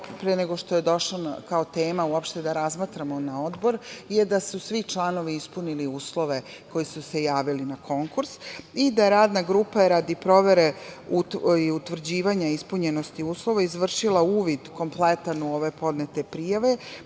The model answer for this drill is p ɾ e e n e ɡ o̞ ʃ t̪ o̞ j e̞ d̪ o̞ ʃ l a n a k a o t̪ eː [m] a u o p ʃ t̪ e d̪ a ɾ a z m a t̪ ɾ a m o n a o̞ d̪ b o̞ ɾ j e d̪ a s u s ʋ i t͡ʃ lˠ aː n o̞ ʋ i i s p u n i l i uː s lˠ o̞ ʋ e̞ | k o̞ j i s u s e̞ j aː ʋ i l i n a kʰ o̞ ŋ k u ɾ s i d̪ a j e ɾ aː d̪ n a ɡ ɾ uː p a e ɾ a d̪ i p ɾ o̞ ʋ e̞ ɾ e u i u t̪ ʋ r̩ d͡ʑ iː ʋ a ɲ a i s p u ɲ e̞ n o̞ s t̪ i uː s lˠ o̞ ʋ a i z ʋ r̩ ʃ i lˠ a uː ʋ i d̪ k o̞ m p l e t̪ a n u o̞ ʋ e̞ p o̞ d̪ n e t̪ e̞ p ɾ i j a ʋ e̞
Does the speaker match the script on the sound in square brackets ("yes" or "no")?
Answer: yes